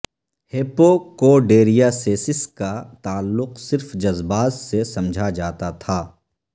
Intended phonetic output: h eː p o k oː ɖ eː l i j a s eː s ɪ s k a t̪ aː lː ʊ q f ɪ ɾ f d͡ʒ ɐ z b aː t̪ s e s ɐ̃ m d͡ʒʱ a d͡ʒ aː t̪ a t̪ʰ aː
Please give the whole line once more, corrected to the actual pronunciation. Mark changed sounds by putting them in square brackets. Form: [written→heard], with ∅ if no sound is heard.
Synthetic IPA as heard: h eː p o k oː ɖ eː [l→ɾ] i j a s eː s ɪ s k a t̪ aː lː ʊ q [f→s] ɪ ɾ f d͡ʒ ɐ z b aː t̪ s e s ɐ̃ m d͡ʒʱ a d͡ʒ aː t̪ a t̪ʰ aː